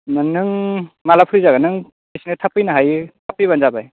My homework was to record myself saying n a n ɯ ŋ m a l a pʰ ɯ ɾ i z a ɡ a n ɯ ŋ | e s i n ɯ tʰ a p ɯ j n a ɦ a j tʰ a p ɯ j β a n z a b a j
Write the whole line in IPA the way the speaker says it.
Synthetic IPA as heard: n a n ɯ ŋ m a l a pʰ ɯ ɾ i z a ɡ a n ɯ ŋ | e s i n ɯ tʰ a p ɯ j n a ɦ a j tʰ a p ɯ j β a n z a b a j